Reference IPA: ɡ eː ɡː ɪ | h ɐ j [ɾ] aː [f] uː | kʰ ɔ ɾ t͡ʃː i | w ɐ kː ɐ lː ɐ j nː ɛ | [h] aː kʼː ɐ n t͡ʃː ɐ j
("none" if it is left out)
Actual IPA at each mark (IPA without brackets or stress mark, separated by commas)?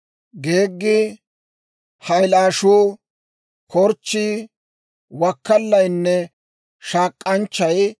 l, ʃ, ʃ